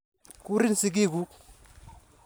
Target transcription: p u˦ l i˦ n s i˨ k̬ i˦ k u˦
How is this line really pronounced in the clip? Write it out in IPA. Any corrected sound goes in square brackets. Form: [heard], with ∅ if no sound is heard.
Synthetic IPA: [k] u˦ [ɾ] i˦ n s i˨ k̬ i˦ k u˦